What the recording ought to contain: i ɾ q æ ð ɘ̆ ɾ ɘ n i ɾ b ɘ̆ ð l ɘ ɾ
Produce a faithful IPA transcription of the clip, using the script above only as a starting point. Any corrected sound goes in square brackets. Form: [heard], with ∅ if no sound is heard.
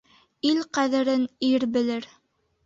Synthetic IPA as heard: i [l] q æ ð ɘ̆ ɾ ɘ n i ɾ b ɘ̆ [∅] l ɘ ɾ